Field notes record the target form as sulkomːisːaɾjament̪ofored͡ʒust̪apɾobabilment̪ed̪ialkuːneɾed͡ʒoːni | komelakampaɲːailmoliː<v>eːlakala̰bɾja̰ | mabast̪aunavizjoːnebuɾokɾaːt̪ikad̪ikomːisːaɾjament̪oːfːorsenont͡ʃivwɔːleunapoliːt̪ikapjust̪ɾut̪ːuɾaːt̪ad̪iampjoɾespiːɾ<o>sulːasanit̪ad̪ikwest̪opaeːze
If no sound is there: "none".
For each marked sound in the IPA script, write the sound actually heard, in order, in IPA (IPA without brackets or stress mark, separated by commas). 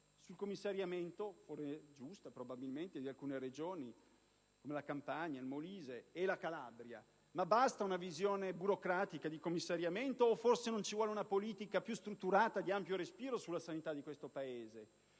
z, o